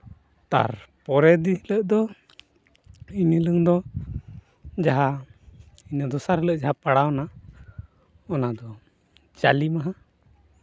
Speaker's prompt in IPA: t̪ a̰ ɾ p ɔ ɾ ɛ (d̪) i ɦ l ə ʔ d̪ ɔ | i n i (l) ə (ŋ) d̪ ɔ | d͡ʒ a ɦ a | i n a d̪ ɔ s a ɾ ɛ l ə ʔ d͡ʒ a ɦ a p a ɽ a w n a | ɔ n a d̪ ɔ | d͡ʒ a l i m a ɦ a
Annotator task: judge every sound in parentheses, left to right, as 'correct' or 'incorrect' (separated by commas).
correct, correct, correct